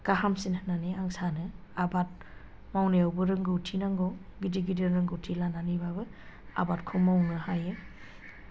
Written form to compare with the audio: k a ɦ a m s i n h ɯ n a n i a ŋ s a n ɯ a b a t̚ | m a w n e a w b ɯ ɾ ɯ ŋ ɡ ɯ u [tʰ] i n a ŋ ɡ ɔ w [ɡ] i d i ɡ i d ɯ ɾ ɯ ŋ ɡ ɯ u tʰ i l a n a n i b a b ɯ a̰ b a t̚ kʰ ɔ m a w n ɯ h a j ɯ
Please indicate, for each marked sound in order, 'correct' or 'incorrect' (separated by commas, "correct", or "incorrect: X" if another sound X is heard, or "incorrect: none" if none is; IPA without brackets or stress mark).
correct, correct